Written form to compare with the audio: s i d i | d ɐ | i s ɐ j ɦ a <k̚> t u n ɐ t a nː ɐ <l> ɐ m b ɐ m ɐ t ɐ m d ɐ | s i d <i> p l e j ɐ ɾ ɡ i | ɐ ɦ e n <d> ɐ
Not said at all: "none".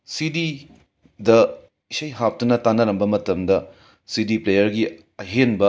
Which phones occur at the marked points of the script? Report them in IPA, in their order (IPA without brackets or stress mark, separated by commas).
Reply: p̚, ɾ, i, b